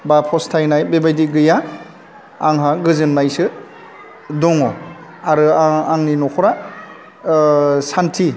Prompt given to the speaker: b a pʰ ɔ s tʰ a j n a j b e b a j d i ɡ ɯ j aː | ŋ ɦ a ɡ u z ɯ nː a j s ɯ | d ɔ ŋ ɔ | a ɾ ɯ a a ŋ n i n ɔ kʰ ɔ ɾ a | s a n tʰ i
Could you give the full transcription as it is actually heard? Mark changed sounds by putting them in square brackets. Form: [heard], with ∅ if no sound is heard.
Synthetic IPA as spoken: b a pʰ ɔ s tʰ a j n a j b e b a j d i ɡ ɯ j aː | ŋ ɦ a ɡ [ɯ] z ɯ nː a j s ɯ | d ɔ ŋ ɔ | a ɾ ɯ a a ŋ n i n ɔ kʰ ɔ ɾ a | s a n tʰ i